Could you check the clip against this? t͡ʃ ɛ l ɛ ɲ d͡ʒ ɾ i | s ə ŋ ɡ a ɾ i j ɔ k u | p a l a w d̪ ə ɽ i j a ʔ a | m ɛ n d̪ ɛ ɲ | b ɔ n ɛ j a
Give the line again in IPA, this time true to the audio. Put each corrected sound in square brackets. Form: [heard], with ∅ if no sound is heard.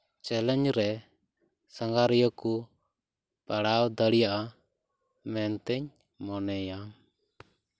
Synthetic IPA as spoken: t͡ʃ ɛ l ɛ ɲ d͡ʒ ɾ [ɛ] | s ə ŋ ɡ a ɾ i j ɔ k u | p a [ɽ] a w d̪ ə ɽ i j a ʔ a | m ɛ n [t̪] ɛ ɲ | [m] ɔ n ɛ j a